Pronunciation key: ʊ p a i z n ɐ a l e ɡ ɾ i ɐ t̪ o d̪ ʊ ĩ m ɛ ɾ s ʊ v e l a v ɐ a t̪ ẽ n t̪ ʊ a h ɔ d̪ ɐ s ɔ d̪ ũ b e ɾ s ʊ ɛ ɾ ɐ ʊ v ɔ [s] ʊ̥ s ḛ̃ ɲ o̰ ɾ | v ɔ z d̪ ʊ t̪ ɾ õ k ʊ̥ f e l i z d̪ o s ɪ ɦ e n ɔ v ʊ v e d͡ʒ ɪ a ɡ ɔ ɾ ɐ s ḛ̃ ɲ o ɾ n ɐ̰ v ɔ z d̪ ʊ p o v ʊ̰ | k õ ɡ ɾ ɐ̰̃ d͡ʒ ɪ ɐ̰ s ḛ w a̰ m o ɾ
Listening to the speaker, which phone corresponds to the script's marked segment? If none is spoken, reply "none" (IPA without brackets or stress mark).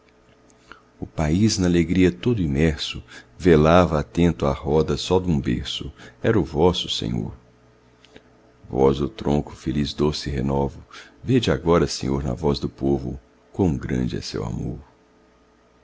s